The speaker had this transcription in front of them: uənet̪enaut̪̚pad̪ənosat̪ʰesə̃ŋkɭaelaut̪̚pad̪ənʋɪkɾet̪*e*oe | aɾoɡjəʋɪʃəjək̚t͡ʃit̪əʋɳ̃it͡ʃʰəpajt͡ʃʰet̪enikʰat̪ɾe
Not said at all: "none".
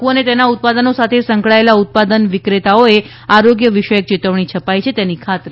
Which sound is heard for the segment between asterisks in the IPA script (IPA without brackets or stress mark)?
a